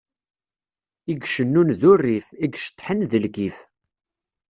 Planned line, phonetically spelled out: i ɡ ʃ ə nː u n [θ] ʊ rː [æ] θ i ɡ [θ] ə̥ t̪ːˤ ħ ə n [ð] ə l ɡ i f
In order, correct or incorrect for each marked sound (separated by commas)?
incorrect, incorrect, incorrect, correct